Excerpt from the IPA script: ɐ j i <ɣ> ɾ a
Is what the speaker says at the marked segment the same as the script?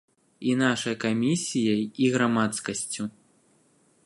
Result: yes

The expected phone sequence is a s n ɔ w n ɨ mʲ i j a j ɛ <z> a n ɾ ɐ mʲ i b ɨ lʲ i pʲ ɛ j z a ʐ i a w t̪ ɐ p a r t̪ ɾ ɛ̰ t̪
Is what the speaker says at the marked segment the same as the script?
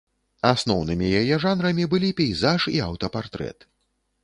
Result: no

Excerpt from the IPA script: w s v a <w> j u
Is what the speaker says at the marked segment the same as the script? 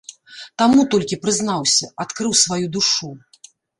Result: no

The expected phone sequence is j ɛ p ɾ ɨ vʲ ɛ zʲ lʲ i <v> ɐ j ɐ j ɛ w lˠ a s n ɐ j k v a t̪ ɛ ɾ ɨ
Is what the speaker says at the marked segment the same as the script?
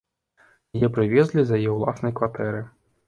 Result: no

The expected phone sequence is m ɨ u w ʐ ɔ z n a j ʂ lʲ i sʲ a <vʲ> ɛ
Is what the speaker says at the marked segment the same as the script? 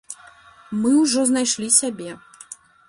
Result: no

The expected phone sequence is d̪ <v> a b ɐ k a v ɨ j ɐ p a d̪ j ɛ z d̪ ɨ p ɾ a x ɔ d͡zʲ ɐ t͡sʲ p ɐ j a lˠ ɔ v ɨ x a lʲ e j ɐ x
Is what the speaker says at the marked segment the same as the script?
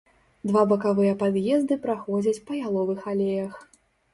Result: yes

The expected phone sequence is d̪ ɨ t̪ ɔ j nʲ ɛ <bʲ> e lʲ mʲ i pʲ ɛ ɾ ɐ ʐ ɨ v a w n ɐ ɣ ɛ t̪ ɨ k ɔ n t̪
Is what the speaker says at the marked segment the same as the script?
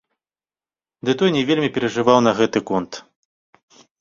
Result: no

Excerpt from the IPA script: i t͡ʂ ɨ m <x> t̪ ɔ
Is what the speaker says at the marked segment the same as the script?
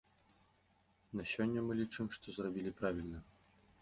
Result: no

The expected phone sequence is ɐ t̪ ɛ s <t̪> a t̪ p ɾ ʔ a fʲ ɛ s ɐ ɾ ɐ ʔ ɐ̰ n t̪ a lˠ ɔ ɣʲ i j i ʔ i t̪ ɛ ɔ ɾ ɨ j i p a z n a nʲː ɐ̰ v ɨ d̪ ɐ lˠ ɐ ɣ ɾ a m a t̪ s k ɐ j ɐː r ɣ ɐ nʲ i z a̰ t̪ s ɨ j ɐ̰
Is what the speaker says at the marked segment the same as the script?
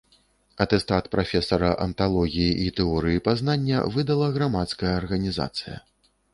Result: yes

